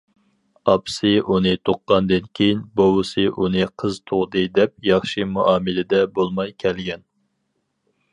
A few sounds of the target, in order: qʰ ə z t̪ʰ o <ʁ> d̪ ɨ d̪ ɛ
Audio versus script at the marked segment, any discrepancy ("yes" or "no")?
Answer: no